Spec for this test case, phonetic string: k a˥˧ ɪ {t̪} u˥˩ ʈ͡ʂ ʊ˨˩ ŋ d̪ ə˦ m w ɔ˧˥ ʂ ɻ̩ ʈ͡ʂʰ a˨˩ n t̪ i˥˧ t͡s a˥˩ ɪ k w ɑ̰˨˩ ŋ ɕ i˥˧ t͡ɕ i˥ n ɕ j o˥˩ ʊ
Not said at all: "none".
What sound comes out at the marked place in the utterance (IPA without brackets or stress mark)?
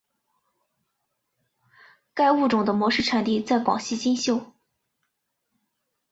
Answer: none